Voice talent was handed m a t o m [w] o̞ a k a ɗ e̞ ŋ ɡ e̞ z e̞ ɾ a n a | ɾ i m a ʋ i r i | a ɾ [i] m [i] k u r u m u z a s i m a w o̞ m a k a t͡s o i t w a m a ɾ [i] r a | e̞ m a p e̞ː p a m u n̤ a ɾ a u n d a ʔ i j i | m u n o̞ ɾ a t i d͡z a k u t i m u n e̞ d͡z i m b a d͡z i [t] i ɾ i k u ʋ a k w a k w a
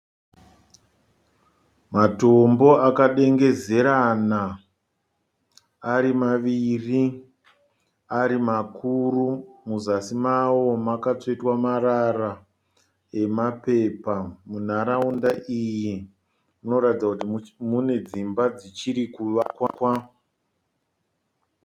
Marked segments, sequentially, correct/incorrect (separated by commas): incorrect, correct, incorrect, incorrect, incorrect